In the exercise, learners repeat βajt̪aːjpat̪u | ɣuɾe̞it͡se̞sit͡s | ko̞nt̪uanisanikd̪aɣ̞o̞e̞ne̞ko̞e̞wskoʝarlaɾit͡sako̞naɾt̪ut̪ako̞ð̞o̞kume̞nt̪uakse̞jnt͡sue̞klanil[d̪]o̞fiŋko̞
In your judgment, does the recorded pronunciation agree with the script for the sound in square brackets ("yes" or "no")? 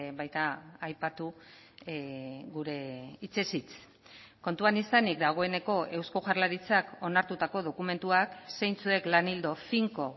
yes